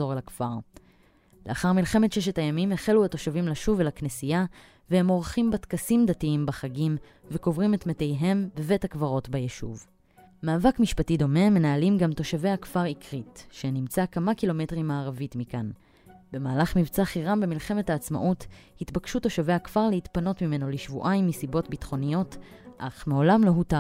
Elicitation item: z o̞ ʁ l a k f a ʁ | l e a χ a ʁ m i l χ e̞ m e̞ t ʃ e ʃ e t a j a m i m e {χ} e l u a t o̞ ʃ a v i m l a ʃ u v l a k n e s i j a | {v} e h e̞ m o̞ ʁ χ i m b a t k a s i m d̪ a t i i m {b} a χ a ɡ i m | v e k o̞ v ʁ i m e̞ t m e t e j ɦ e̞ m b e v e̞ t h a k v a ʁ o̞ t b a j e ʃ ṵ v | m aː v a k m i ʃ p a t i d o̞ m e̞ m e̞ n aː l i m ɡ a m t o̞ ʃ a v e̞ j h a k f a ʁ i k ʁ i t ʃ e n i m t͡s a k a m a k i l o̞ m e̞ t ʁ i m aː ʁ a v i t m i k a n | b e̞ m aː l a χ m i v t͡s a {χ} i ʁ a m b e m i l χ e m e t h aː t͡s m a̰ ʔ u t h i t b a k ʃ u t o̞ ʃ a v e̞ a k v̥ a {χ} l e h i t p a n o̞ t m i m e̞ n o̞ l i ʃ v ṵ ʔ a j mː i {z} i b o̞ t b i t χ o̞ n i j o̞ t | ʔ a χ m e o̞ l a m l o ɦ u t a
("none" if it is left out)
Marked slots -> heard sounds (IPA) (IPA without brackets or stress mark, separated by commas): χ, v, b, χ, ʁ, s